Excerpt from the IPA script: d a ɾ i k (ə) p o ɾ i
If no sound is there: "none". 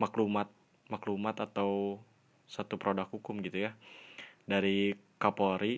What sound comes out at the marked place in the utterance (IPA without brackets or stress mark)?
a